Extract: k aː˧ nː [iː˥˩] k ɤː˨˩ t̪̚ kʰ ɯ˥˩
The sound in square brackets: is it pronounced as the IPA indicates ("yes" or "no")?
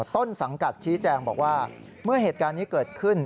no